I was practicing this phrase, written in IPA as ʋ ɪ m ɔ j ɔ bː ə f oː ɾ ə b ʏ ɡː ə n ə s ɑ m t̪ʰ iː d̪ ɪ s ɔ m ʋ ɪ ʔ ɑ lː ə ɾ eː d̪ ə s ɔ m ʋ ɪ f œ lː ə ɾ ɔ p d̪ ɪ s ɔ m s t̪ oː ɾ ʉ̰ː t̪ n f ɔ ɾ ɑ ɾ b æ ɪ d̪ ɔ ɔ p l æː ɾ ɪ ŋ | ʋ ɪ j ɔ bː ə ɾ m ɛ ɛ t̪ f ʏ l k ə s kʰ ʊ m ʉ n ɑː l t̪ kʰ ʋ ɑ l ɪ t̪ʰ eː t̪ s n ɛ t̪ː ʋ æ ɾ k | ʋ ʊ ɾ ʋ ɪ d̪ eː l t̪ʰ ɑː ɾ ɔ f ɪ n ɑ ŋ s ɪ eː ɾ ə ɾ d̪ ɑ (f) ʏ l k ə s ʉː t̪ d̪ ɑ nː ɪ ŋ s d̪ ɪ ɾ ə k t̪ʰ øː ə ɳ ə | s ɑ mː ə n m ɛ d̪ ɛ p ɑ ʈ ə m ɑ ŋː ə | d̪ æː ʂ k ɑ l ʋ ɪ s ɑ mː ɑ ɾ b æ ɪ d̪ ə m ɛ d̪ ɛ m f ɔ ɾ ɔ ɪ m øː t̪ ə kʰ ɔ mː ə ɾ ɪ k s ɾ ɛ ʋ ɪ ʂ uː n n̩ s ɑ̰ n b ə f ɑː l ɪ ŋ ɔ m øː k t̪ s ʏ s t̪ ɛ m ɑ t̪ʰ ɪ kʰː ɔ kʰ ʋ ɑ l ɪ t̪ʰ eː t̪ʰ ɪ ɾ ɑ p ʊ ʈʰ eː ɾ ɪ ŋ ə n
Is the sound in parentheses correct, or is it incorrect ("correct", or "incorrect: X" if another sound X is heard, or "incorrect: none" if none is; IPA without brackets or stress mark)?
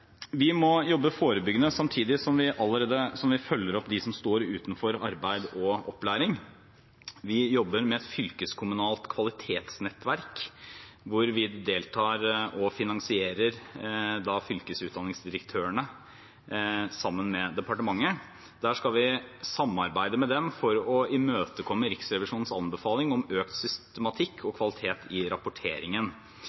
correct